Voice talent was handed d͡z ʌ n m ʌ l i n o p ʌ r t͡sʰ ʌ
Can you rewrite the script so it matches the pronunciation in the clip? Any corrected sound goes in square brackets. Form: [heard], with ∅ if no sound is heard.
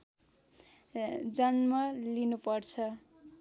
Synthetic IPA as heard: d͡z ʌ n m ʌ l i n [u] p ʌ r t͡sʰ ʌ